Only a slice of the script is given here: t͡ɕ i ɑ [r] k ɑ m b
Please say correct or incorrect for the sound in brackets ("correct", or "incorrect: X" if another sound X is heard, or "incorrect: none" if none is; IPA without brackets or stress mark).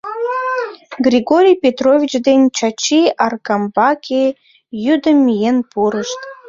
correct